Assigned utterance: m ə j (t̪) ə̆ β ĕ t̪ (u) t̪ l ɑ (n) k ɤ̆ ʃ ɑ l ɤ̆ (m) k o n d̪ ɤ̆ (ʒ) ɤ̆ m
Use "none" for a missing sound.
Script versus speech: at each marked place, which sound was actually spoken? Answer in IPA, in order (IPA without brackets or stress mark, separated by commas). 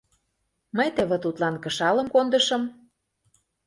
t̪, u, n, m, ʃ